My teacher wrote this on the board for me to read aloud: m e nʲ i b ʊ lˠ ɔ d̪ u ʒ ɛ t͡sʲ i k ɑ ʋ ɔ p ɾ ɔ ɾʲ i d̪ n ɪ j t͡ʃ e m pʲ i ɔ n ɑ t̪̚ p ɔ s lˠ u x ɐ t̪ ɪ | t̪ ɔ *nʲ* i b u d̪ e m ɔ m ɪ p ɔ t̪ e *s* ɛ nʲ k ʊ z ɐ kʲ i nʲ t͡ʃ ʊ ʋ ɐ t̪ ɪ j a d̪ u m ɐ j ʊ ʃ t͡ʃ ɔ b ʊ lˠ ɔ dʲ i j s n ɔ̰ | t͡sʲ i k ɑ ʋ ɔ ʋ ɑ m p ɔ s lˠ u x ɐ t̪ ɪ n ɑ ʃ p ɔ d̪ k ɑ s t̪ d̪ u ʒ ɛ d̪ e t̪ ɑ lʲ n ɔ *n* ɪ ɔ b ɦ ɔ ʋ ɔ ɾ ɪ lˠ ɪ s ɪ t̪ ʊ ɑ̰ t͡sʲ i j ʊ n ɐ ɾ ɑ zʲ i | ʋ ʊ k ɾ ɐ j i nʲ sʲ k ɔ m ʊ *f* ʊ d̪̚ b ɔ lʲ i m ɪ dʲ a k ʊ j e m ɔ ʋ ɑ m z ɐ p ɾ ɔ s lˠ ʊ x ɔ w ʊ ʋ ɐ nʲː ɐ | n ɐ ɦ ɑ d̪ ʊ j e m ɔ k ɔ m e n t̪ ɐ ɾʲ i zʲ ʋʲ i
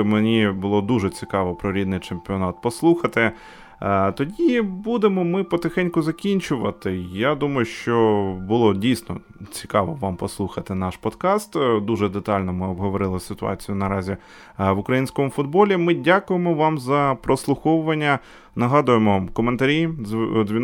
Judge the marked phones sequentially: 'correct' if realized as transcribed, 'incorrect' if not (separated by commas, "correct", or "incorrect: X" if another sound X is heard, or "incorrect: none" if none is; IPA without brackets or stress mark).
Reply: incorrect: dʲ, incorrect: x, incorrect: m, correct